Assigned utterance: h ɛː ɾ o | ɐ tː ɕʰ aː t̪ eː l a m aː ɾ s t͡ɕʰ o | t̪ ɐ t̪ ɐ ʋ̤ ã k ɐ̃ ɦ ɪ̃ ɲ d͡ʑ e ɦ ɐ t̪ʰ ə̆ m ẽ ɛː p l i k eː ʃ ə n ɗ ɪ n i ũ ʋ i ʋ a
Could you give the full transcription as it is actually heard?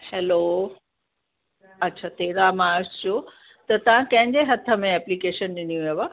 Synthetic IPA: h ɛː l o | ɐ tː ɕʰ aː t̪ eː ɾ a m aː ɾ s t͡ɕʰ o | t̪ ɐ t̪ ɐ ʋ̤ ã k ɐ̃ ɦ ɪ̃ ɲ d͡ʑ e ɦ ɐ t̪ʰ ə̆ m ẽ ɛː p l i k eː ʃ ə n ɗ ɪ n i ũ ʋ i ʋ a